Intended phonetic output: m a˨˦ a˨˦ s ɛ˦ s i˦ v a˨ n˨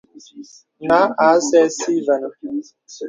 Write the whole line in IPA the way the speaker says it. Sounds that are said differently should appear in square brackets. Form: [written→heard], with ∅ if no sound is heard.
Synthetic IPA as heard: [m→n] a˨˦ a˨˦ s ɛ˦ s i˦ v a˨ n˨